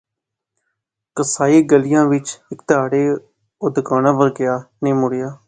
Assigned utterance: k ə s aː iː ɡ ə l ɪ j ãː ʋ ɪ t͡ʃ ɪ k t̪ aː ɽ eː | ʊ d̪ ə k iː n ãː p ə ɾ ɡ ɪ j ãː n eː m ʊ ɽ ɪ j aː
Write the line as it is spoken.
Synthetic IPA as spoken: k ə s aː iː ɡ ə l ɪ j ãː ʋ ɪ t͡ʃ ɪ k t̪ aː ɽ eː | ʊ d̪ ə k aː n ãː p ə ɾ ɡ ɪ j aː n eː m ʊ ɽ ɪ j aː